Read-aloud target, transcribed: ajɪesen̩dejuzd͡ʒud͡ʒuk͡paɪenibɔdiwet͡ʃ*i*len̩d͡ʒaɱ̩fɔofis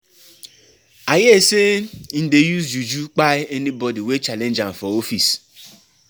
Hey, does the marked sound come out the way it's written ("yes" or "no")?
no